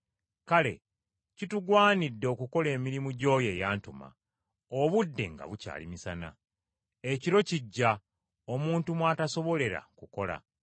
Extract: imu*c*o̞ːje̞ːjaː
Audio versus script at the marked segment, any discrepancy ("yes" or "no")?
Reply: yes